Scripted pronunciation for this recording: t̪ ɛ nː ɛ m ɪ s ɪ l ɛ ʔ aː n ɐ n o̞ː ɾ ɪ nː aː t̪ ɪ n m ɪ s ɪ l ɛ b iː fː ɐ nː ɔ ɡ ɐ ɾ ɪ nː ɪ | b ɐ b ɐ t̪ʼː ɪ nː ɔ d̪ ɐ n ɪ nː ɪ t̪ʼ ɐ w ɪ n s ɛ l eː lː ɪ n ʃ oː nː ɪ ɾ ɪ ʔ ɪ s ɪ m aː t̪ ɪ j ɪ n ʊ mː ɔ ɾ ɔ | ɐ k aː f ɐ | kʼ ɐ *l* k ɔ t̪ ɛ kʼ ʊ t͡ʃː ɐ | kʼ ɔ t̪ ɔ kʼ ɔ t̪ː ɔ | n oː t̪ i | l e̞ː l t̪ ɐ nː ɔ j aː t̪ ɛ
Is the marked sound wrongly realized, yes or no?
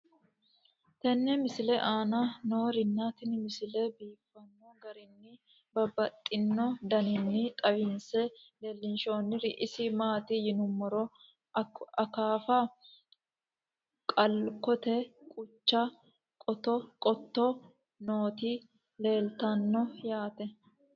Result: no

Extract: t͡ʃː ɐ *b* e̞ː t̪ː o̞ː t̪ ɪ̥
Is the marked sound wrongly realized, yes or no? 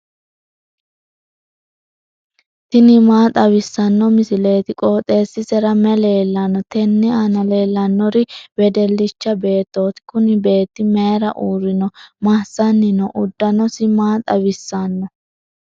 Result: no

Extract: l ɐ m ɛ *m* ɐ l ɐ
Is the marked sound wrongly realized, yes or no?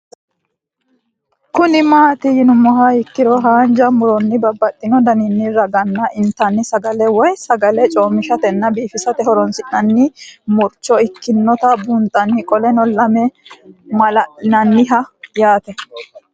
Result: no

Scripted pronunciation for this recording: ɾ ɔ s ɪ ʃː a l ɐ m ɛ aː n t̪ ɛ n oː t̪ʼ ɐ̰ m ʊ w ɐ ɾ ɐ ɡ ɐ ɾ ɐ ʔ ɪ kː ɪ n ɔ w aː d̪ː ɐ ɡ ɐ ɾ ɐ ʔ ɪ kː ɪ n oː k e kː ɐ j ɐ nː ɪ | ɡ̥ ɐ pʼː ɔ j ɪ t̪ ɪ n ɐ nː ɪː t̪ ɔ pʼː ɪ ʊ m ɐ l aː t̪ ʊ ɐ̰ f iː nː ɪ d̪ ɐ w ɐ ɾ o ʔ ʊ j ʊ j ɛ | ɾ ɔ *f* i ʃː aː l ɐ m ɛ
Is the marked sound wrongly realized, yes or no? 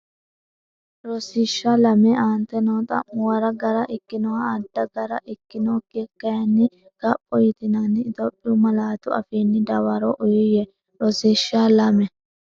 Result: yes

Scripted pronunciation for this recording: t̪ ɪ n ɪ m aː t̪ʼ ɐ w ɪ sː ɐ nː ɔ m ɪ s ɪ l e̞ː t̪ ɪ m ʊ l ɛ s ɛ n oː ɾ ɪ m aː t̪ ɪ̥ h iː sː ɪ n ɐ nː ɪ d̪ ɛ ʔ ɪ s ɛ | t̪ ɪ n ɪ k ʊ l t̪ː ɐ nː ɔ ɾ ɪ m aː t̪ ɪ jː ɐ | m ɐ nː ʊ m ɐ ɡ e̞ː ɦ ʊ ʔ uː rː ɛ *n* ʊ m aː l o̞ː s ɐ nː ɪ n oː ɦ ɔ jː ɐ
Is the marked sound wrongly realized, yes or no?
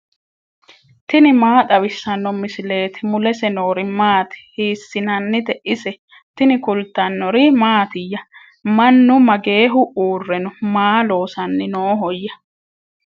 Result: no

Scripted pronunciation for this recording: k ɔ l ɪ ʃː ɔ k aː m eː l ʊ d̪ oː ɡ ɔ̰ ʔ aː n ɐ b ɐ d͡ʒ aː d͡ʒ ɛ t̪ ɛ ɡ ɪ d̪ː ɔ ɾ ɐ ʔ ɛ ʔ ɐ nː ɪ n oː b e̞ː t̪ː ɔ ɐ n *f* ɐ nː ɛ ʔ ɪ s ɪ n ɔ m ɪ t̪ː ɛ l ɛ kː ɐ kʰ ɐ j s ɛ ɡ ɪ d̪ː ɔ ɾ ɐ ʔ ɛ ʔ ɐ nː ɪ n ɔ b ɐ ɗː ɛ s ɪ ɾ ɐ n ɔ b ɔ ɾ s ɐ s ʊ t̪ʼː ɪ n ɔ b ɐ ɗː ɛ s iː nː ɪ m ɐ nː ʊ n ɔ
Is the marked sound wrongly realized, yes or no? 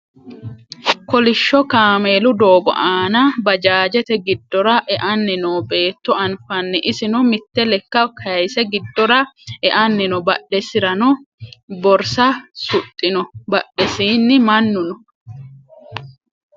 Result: no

